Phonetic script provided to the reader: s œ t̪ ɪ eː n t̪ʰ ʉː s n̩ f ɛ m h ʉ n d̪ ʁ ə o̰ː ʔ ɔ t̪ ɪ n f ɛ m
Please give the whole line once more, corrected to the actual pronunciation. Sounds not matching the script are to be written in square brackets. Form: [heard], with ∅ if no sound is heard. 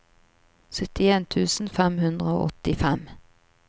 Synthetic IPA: s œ t̪ ɪ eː n t̪ʰ ʉː s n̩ f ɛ m h ʉ n d̪ ʁ ə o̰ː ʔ ɔ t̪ ɪ [∅] f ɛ m